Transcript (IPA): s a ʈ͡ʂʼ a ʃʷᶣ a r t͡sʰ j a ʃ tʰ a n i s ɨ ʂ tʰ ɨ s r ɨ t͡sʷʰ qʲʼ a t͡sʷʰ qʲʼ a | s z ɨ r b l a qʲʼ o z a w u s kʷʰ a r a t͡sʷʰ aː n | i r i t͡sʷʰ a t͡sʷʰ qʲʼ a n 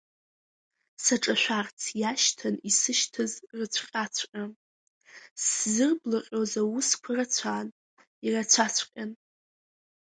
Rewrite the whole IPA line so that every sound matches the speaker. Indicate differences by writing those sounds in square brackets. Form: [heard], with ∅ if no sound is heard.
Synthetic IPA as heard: s a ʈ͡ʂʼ a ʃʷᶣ a r t͡sʰ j a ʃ tʰ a n i s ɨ [ʃ] tʰ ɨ [z] r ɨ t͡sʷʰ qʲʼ a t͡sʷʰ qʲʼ a | s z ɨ r b l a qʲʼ o z a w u s kʷʰ a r a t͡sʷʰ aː n | i r [a] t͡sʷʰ a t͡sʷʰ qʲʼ a n